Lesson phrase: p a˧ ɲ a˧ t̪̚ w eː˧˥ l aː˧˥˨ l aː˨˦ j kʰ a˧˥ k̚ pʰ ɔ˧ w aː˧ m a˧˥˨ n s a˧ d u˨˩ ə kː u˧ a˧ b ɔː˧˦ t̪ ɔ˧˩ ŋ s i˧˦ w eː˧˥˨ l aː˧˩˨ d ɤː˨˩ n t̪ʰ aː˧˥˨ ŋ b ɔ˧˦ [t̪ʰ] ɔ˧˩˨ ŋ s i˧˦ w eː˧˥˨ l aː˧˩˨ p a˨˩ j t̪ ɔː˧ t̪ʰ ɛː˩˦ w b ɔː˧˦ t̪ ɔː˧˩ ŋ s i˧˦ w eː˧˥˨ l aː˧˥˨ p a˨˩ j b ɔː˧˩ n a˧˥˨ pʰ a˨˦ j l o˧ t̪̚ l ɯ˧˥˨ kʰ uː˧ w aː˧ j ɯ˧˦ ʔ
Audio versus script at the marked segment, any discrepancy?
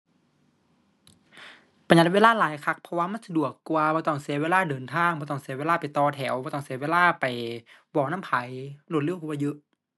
yes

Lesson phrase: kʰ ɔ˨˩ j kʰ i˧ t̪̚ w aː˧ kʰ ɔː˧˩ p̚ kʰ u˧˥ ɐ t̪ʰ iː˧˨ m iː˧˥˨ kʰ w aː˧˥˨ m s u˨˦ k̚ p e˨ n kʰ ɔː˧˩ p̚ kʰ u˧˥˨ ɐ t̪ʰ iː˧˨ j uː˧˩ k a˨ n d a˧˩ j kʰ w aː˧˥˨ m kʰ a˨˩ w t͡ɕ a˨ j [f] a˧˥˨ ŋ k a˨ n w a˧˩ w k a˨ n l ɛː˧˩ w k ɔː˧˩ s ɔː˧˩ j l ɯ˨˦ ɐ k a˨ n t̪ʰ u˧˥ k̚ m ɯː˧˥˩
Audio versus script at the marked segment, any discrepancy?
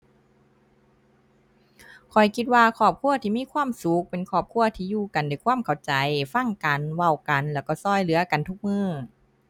no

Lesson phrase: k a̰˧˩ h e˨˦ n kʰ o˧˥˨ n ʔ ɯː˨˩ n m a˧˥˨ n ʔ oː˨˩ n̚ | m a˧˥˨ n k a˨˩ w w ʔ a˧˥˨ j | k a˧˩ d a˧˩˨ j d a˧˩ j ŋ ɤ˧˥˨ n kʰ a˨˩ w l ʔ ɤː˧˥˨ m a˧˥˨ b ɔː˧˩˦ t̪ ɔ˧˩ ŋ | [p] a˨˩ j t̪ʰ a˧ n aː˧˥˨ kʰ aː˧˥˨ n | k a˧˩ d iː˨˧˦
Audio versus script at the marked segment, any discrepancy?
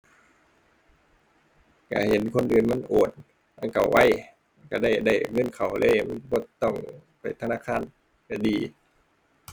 no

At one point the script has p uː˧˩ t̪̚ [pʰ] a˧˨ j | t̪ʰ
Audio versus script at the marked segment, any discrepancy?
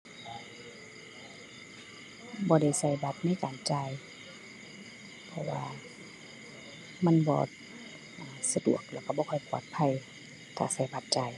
no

